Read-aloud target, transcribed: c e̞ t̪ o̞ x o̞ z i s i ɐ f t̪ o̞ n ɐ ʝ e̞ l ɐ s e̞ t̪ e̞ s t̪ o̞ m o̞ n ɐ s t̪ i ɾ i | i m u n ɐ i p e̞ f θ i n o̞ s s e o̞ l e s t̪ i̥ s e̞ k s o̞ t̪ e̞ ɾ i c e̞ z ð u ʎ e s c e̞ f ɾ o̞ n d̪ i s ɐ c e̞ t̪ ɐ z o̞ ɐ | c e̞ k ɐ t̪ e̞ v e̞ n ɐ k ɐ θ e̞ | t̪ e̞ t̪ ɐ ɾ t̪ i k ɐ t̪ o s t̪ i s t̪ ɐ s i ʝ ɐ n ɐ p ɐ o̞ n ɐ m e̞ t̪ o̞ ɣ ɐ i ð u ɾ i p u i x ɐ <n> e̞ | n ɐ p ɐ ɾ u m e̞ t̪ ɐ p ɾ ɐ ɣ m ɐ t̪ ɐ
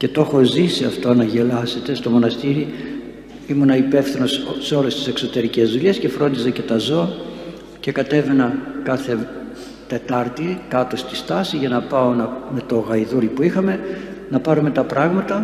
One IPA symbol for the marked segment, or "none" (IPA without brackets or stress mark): m